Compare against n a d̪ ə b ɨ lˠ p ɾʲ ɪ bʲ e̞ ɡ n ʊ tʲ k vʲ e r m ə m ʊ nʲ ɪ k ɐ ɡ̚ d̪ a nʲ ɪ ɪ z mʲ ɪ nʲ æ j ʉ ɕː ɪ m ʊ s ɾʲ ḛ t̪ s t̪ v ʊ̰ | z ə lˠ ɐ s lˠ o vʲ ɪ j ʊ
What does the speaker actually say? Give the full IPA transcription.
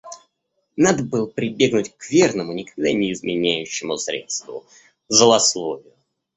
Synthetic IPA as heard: n a d̪ ə b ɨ lˠ p ɾʲ ɪ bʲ e̞ ɡ n ʊ tʲ k vʲ e r n ə m ʊ nʲ ɪ k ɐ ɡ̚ d̪ a nʲ ɪ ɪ z mʲ ɪ nʲ æ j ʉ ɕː ɪ m ʊ s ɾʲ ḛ t̪ s t̪ v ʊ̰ | z ə lˠ ɐ s lˠ o vʲ ɪ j ʊ